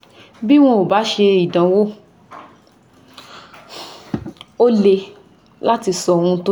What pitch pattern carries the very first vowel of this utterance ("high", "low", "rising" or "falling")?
high